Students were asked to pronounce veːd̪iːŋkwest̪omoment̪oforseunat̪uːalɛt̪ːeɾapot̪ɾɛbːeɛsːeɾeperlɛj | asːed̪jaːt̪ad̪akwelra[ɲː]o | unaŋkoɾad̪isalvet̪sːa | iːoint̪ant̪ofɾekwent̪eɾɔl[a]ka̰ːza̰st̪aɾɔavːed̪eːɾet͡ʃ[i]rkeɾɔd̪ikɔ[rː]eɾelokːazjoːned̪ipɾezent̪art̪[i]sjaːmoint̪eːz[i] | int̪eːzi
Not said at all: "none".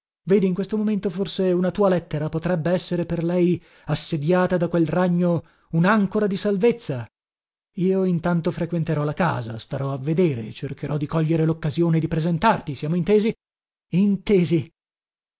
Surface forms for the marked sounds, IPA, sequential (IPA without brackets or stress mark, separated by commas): ɲː, a, e, ʎː, i, i